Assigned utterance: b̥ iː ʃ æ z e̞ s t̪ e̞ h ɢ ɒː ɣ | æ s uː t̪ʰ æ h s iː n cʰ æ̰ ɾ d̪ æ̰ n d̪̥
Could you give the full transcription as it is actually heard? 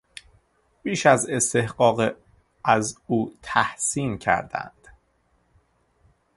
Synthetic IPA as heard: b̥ iː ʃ æ z e̞ s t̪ e̞ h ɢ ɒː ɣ | æ z uː t̪ʰ æ h s iː n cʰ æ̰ ɾ d̪ æ̰ n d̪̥